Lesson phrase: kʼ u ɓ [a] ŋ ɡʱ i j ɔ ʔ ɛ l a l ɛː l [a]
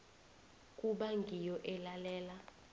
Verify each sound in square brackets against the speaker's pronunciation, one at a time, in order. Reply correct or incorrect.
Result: correct, correct

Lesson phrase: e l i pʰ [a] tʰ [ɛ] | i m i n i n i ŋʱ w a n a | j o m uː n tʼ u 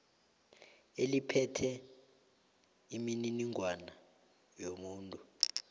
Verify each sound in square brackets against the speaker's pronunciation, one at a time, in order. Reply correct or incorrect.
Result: incorrect: ɛ, correct

